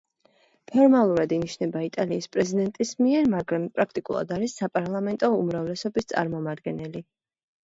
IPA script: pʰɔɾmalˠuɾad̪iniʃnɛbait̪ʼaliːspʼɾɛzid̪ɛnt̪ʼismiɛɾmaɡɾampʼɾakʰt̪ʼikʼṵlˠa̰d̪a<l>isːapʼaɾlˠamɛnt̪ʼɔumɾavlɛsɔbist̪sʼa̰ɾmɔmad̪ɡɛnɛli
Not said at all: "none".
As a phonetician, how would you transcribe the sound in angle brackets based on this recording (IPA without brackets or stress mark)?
ɾ